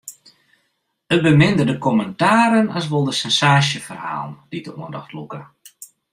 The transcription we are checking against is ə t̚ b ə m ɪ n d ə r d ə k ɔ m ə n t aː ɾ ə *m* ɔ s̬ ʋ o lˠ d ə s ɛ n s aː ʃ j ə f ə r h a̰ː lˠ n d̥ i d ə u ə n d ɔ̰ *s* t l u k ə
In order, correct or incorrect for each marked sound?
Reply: incorrect: n, incorrect: x

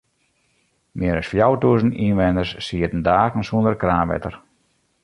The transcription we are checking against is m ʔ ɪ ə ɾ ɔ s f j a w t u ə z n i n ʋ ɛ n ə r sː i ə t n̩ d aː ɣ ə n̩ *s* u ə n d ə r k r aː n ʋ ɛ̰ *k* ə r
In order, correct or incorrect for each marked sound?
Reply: correct, incorrect: t

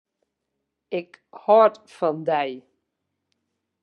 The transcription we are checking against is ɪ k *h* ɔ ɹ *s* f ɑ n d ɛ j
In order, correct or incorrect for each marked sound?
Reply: correct, incorrect: t

